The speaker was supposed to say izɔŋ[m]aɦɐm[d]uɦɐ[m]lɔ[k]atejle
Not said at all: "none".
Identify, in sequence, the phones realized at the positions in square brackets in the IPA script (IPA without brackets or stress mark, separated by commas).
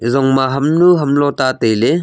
m, n, m, t